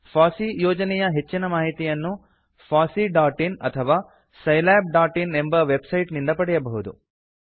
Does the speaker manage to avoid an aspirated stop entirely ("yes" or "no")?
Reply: no